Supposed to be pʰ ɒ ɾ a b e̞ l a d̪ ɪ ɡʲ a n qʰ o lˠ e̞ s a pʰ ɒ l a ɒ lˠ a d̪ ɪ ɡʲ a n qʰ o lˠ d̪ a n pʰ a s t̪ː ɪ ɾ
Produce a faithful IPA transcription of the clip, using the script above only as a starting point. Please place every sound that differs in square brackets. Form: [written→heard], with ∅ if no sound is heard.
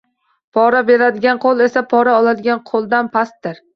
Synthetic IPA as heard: pʰ ɒ ɾ a b e̞ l a d̪ ɪ ɡʲ a n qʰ o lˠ e̞ s a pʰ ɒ [l→ɾ] a ɒ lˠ a d̪ ɪ ɡʲ a n qʰ o lˠ d̪ a n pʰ a s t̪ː ɪ ɾ